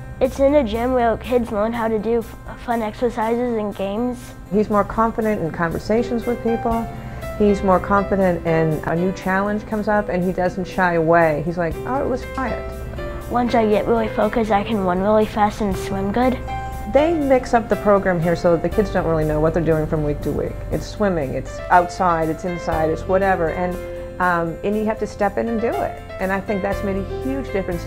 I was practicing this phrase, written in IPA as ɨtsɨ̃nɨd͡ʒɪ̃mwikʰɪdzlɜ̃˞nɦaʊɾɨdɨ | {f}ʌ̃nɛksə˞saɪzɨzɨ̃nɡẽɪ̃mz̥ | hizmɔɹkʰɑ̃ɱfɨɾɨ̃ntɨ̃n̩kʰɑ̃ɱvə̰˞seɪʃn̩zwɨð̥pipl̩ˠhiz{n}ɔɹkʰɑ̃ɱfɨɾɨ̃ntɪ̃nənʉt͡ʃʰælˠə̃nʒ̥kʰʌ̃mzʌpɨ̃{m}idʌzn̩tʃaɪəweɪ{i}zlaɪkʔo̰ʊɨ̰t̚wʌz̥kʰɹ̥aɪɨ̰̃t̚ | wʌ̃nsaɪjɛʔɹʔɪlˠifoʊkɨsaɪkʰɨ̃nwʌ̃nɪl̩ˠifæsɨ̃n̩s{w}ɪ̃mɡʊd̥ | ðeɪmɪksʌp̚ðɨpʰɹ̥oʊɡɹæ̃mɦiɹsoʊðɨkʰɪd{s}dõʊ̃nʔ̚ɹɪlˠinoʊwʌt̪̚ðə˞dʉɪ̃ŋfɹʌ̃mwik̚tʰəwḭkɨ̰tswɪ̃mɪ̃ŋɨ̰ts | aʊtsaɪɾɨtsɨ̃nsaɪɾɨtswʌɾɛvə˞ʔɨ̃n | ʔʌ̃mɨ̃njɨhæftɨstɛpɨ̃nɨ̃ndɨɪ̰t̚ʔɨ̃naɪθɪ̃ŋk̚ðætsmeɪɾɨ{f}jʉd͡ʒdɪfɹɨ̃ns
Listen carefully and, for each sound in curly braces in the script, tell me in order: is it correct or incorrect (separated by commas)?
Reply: correct, incorrect, incorrect, correct, correct, incorrect, incorrect